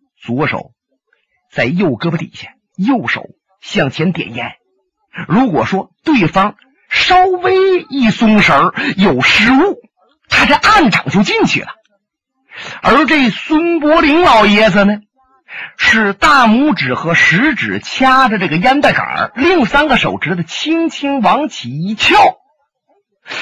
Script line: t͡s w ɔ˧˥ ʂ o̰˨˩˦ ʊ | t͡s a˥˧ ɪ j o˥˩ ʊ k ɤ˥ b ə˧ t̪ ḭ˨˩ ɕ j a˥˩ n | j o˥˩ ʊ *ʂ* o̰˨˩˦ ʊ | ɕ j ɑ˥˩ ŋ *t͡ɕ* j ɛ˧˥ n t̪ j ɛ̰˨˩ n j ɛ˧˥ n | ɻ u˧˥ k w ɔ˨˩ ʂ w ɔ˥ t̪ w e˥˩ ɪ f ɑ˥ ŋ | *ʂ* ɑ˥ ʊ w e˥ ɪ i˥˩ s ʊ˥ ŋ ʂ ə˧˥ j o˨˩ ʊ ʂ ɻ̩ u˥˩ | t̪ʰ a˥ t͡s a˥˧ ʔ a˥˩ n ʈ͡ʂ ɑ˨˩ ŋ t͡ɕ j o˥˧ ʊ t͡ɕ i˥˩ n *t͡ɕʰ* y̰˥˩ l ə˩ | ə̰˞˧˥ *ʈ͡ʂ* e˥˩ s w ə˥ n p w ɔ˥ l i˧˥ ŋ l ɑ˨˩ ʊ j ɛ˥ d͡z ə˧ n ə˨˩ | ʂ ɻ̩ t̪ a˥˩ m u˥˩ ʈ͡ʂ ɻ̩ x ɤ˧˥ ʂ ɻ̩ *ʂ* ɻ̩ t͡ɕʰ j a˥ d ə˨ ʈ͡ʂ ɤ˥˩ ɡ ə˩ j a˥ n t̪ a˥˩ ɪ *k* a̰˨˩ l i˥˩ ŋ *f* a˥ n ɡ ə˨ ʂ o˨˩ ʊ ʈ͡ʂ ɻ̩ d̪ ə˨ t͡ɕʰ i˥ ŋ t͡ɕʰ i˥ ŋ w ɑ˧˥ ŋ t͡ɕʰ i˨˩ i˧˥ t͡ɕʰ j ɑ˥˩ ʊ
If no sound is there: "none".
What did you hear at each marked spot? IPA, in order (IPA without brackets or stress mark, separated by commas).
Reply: ʂ, t͡ɕʰ, ʂ, t͡ɕʰ, ʈ͡ʂ, ʈ͡ʂ, k, s